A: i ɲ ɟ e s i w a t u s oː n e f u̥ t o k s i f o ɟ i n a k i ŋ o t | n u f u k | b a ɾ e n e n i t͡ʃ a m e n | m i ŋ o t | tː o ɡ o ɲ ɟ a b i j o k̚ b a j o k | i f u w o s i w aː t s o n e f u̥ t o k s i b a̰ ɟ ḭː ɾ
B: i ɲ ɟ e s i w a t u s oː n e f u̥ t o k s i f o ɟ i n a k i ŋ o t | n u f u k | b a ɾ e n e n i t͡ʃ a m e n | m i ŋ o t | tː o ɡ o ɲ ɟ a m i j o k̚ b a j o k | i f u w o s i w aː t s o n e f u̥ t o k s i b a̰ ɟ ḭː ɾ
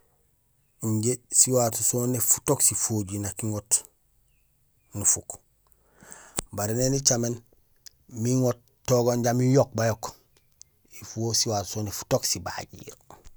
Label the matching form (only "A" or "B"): B